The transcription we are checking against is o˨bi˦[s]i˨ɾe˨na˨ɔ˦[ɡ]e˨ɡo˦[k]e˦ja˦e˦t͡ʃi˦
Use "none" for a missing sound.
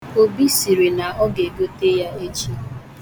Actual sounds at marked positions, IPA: s, ɡ, t

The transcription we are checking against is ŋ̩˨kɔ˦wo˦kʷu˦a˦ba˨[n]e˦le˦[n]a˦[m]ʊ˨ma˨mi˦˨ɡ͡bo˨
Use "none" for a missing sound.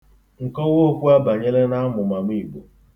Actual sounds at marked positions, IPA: ɲ, n, m

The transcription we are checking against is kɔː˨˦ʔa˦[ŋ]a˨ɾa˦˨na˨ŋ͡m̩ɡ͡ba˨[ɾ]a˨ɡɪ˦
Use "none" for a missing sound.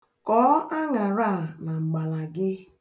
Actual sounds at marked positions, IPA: ŋ, l

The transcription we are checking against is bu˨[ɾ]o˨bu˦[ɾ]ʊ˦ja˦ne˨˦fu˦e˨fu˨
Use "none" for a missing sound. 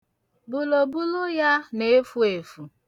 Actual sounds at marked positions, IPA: l, l

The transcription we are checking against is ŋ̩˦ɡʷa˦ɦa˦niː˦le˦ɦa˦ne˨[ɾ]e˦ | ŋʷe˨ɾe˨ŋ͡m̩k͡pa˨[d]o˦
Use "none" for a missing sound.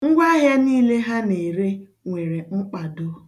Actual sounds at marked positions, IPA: ɾ, d

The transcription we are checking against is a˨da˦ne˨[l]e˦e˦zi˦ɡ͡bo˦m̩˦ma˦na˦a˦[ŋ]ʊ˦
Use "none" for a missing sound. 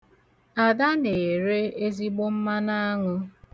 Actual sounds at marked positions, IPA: ɾ, ŋ

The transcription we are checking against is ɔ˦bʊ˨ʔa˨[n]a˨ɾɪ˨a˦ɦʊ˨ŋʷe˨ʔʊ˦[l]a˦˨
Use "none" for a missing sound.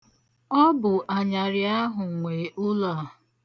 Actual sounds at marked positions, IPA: ɲ, l

